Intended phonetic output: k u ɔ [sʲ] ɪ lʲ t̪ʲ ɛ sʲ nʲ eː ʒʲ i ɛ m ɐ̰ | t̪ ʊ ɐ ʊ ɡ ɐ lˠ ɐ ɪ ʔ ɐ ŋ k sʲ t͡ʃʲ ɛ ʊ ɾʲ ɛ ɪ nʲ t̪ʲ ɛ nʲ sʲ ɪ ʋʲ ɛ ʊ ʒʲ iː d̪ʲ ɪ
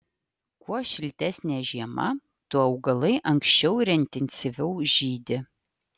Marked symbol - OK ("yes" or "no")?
no